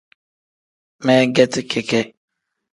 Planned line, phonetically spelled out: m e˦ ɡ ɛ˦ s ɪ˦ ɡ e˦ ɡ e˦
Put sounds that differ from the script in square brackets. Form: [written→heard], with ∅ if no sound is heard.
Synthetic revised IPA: m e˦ ɡ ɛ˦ [s→t] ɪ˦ [ɡ→k] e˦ [ɡ→k] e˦